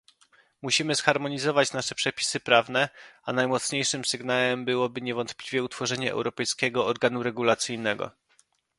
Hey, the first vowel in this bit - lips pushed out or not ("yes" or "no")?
yes